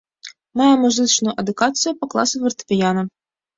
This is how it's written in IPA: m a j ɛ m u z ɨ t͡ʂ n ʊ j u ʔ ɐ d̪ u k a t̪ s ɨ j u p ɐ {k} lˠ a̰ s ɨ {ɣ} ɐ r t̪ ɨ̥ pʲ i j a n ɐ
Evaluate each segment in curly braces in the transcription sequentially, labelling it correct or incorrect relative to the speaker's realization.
correct, incorrect

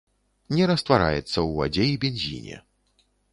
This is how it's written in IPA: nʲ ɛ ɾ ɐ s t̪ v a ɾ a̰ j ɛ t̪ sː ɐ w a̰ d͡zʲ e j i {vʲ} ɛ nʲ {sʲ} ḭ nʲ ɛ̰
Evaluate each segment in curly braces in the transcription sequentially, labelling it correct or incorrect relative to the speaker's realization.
incorrect, incorrect

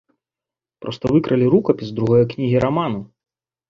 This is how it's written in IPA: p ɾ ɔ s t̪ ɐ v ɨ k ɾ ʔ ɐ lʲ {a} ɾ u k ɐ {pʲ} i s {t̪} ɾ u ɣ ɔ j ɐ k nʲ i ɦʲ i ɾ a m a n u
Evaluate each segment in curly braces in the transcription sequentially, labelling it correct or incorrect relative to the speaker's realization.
incorrect, correct, incorrect

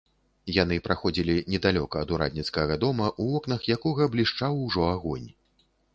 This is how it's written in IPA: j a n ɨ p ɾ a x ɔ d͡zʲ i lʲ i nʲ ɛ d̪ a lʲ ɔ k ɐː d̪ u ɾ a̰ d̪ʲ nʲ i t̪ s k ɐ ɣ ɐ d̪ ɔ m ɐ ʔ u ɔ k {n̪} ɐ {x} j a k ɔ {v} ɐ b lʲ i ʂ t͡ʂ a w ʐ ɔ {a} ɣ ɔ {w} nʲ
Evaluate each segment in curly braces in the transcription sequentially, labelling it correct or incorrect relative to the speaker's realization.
correct, correct, incorrect, correct, incorrect

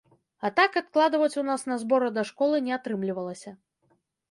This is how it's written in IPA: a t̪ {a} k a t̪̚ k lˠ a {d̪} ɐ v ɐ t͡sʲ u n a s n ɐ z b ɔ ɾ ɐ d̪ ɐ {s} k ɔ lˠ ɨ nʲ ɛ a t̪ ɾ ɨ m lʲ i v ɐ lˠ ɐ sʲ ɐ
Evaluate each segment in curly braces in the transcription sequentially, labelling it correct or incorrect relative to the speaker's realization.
correct, correct, incorrect

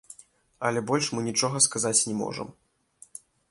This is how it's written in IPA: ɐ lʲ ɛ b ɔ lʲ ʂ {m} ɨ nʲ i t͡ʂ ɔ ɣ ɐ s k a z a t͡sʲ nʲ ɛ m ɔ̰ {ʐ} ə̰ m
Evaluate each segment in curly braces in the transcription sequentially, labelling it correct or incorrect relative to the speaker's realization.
correct, correct

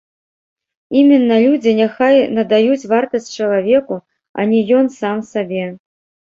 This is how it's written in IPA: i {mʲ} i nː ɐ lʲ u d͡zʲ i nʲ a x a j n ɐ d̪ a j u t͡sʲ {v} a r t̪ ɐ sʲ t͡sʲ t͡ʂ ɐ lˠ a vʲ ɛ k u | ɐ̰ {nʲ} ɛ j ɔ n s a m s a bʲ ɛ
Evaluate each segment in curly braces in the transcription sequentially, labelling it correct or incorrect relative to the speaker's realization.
correct, correct, correct

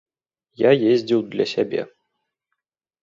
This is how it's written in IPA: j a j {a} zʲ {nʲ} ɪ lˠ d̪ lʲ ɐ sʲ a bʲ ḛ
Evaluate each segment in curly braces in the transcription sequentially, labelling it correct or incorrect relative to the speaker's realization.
incorrect, incorrect

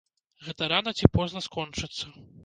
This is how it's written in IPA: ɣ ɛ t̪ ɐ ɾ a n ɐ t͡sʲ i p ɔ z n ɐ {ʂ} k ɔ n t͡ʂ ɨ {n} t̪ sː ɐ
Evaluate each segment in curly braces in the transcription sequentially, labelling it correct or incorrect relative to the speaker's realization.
incorrect, incorrect

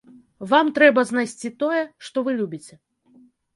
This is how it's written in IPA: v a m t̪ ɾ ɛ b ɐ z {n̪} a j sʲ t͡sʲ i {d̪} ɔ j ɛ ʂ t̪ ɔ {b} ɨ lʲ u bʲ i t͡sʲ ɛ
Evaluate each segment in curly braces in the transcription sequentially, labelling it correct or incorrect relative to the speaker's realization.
correct, incorrect, incorrect

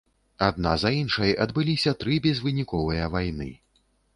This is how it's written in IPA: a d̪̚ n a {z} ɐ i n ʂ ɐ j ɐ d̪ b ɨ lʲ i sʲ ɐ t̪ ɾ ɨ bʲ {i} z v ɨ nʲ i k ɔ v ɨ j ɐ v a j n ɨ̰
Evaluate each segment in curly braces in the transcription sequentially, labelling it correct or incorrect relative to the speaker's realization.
correct, incorrect

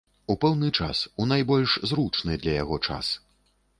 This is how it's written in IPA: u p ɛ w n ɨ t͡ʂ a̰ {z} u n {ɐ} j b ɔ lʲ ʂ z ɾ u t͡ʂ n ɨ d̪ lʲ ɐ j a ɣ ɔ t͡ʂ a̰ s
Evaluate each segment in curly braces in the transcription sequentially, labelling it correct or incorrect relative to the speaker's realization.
incorrect, incorrect

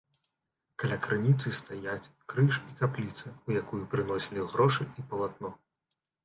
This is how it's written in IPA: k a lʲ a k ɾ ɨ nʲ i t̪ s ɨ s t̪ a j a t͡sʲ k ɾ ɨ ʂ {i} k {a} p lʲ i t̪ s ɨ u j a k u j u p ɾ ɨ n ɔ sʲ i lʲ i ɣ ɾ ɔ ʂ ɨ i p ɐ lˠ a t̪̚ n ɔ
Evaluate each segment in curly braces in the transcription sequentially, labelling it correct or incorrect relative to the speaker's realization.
correct, correct

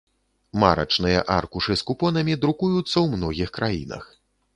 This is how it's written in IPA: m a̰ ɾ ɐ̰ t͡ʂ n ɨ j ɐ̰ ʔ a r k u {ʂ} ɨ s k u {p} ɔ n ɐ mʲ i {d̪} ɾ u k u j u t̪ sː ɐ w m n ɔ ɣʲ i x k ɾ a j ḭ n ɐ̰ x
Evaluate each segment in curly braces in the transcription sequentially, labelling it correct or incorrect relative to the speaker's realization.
correct, correct, correct

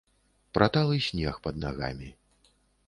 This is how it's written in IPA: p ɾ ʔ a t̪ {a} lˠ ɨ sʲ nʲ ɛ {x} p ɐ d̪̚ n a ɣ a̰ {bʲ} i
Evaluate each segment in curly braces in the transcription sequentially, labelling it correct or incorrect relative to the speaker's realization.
correct, correct, incorrect

